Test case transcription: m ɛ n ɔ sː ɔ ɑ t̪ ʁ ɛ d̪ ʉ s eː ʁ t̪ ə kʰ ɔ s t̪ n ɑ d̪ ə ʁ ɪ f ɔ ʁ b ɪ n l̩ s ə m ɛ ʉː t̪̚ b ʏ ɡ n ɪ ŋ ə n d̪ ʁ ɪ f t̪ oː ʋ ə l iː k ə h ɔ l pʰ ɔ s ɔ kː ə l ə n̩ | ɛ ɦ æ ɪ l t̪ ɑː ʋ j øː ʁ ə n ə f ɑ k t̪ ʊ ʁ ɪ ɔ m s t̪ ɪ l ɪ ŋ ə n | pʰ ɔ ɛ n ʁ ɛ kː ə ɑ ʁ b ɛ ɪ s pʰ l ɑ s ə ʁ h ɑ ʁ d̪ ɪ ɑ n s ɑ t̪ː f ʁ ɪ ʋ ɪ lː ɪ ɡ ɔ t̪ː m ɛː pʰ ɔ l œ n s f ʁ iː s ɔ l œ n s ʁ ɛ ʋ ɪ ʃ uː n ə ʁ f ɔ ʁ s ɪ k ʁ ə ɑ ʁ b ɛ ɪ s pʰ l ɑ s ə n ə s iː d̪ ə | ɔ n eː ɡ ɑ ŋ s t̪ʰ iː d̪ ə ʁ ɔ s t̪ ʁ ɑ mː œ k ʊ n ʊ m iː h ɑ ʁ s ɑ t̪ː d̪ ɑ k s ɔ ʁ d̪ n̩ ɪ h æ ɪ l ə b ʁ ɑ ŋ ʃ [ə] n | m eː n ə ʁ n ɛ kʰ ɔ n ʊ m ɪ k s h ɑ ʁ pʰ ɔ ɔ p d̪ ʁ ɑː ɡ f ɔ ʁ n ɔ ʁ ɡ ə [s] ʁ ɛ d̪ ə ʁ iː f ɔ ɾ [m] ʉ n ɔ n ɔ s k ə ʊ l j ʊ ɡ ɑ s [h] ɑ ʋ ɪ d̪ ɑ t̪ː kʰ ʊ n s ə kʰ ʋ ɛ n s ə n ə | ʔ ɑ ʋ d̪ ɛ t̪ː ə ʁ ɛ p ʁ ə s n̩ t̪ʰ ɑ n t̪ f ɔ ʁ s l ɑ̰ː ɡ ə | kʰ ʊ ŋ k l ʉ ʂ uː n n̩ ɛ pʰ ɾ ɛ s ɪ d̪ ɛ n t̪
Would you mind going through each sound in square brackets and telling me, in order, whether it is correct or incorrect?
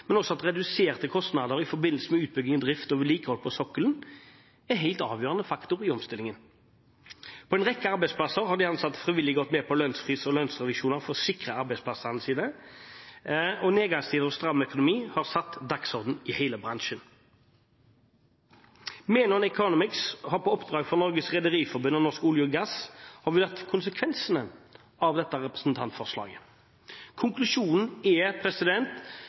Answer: correct, correct, incorrect: b, correct

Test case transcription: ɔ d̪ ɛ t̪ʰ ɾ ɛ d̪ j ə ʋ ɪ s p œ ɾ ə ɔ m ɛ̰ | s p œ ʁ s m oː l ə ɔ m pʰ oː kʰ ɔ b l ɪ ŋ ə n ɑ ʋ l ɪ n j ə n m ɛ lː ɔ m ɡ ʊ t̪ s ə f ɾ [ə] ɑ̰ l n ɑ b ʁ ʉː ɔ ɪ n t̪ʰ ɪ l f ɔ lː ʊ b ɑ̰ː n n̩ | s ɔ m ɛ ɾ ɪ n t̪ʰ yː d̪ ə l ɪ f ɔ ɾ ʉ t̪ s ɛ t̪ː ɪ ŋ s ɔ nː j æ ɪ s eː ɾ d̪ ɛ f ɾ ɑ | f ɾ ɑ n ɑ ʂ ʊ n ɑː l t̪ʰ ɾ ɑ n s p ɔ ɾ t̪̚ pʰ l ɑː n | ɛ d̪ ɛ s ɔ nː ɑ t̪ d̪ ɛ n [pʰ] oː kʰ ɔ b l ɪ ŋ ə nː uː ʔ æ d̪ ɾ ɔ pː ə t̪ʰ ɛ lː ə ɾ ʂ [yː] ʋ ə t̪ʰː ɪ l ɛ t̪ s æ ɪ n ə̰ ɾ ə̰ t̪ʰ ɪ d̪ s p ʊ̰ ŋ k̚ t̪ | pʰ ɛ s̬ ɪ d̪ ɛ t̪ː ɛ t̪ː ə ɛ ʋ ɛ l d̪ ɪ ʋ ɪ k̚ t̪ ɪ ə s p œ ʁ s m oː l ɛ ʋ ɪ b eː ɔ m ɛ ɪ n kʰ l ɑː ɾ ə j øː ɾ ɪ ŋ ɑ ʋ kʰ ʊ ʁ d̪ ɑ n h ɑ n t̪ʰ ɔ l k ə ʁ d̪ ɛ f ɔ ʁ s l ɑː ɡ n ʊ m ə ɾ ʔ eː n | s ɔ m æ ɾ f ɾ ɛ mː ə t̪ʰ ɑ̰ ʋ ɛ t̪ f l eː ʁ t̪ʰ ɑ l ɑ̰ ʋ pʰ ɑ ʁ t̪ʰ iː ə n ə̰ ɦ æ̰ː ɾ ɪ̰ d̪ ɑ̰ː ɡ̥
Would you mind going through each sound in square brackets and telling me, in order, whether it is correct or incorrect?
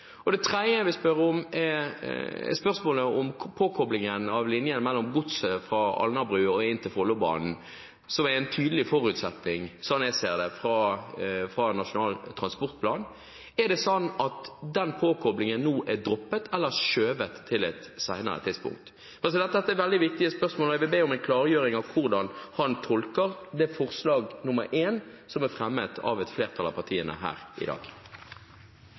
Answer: incorrect: ɑ, correct, incorrect: øː

